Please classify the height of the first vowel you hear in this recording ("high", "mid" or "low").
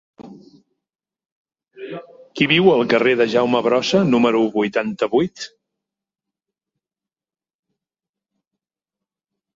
high